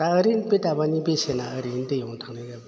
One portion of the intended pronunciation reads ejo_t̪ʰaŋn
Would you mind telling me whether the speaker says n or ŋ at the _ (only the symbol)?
ŋ